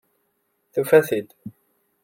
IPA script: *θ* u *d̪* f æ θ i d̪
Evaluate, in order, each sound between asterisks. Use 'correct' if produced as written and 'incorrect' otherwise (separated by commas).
correct, incorrect